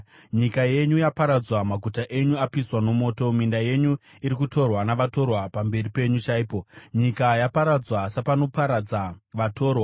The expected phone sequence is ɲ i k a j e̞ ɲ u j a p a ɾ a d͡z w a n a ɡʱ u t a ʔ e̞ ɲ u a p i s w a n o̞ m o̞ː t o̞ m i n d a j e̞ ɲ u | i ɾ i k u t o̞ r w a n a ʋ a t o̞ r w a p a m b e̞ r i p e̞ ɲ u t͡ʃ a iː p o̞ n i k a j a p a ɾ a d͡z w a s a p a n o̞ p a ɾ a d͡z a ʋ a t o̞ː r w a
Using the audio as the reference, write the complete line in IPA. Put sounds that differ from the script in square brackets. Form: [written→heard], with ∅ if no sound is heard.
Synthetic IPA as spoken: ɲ i k a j e̞ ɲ u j a p a ɾ a d͡z w a [n→m] a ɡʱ u t a ʔ e̞ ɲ u a p i s w a n o̞ m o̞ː t o̞ m i n d a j e̞ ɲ u | i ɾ i k u t o̞ r w a n a ʋ a t o̞ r w a p a m b e̞ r i p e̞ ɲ u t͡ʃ a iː p o̞ [n→ɲ] i k a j a p a ɾ a d͡z w a s a p a n o̞ p a ɾ a d͡z a ʋ a t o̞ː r w a